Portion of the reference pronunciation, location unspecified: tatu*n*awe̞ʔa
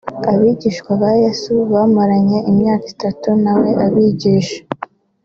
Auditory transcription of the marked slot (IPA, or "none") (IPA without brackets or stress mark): n